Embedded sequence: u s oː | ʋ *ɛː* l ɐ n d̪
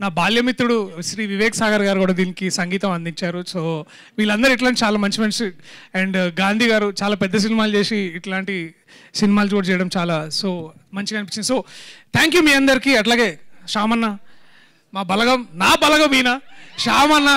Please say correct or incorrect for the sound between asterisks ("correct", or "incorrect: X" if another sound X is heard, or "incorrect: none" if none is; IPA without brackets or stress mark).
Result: incorrect: iː